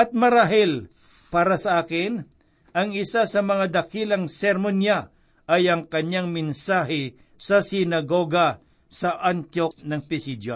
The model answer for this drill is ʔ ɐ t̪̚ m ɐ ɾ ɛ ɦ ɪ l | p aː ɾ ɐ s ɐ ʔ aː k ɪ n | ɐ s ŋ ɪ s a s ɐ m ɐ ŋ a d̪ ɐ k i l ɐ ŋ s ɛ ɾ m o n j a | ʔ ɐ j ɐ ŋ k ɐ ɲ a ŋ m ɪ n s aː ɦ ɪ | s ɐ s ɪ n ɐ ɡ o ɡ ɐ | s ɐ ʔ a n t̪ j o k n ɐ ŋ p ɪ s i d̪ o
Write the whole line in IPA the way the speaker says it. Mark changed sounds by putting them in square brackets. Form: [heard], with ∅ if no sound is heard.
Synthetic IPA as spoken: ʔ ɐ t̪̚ m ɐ ɾ [a] ɦ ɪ l | p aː ɾ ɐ s ɐ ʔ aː k ɪ n | ɐ [∅] ŋ ɪ s a s ɐ m ɐ ŋ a d̪ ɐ k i l ɐ ŋ s ɛ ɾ m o n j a | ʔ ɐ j ɐ ŋ k ɐ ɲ a ŋ m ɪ n s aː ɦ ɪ | s ɐ s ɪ n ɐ ɡ o ɡ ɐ | s ɐ ʔ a n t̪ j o k n ɐ ŋ p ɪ s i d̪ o